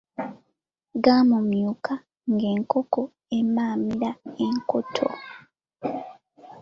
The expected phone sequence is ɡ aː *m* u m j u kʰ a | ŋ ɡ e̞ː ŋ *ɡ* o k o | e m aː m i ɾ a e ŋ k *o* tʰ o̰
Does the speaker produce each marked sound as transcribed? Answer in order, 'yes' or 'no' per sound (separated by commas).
yes, no, yes